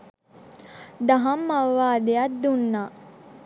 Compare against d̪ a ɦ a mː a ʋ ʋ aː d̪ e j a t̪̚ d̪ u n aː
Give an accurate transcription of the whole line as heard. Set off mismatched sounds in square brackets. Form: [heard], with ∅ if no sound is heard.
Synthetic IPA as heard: d̪ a ɦ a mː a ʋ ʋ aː d̪ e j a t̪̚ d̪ u [nː] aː